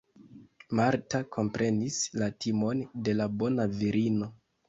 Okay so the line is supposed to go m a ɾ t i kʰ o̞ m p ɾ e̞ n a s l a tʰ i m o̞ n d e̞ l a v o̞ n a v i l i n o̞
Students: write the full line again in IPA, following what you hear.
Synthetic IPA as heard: m a ɾ t a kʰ o̞ m p ɾ e̞ n i s l a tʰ i m o̞ n d e̞ l a b o̞ n a v i ɾ i n o̞